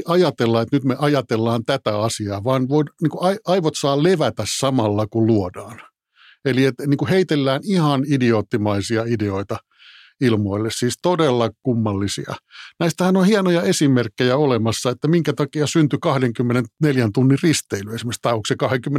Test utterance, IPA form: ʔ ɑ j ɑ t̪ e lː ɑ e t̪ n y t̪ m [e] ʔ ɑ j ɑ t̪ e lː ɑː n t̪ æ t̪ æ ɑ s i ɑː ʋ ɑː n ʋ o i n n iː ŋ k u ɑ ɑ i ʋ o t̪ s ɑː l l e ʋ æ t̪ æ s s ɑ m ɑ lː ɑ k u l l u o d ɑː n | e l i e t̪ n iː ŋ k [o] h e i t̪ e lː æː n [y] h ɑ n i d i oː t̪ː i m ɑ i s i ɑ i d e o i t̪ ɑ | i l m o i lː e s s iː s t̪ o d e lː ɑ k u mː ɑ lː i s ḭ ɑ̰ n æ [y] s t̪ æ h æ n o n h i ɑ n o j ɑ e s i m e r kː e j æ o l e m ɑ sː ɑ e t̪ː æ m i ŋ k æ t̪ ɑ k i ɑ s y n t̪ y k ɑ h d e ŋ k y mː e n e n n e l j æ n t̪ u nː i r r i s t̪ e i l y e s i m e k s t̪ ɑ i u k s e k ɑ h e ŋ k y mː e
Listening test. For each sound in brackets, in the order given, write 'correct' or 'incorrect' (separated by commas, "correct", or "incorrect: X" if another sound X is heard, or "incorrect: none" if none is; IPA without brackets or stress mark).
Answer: correct, incorrect: u, incorrect: i, incorrect: i